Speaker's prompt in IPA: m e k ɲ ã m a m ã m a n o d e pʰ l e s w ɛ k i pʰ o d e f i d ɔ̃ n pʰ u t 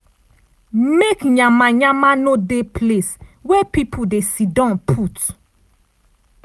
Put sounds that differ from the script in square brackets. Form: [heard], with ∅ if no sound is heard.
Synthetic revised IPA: m e k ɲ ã m a [ɲ] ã m a n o d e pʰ l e s w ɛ [p] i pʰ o d e [s] i d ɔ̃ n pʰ u t